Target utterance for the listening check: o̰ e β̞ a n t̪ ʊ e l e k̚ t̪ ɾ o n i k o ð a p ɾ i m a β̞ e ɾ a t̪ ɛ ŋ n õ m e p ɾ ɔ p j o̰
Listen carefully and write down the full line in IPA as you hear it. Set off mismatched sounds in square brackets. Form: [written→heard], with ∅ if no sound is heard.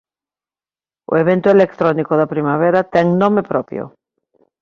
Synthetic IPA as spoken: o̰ e β̞ [a→e] n t̪ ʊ e l e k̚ t̪ ɾ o n i k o ð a p ɾ i m a β̞ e ɾ a t̪ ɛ ŋ n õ m e p ɾ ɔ p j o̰